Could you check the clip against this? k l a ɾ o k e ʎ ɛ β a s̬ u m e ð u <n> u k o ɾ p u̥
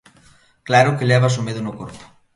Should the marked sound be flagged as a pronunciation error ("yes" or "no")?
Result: no